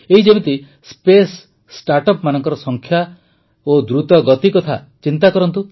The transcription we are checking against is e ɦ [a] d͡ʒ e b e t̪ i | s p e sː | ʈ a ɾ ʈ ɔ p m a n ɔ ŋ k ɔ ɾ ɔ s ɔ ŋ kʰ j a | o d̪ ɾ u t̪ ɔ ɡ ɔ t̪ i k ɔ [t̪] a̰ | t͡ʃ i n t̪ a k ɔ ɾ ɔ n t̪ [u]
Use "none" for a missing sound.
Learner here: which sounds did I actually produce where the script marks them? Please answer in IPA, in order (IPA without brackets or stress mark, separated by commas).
i, t̪ʰ, u